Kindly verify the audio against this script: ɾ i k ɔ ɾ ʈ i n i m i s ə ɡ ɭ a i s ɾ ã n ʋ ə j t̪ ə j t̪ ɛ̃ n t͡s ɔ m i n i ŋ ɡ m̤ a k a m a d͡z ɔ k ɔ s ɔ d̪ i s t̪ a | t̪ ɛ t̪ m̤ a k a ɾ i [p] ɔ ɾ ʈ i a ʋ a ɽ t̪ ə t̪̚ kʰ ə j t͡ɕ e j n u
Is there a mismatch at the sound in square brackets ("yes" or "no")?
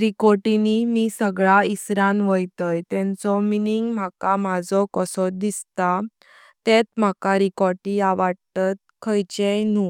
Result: yes